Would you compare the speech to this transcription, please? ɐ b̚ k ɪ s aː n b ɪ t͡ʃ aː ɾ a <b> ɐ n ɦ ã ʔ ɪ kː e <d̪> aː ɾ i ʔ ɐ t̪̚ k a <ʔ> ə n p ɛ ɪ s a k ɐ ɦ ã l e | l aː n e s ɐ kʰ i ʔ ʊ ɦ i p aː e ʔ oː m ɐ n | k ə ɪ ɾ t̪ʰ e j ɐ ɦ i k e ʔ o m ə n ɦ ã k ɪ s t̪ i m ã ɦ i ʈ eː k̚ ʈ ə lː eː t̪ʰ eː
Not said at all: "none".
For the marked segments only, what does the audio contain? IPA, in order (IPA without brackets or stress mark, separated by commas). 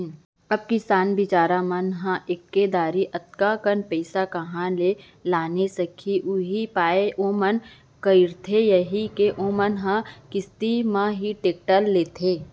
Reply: m, d̪, k